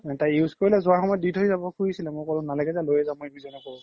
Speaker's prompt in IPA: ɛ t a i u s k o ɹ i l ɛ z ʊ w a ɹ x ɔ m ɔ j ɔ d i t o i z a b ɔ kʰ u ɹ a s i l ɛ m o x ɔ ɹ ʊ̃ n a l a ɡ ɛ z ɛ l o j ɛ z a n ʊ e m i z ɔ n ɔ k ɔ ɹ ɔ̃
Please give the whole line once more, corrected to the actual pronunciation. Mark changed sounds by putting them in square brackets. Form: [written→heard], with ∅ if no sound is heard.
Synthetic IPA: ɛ t a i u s k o ɹ i l ɛ z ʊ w a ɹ x ɔ m ɔ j ɔ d i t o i z a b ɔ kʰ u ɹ [a→i] s i l ɛ m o [x→k] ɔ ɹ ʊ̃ n a l a ɡ ɛ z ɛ l o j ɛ z a [n→m] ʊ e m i z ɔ n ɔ k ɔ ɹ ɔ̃